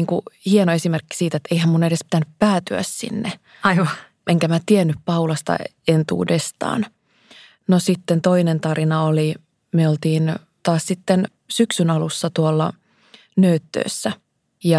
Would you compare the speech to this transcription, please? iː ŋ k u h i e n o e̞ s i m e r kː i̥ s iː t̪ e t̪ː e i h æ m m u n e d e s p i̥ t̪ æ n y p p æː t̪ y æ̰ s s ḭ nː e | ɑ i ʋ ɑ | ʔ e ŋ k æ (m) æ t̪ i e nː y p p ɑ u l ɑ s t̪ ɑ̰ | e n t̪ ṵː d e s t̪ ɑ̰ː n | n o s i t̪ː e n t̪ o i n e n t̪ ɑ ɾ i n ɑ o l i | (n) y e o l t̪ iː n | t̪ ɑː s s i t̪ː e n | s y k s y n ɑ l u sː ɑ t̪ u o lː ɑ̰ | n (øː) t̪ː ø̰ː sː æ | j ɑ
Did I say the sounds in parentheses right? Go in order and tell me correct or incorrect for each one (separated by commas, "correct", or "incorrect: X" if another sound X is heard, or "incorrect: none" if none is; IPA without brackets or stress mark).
correct, incorrect: m, correct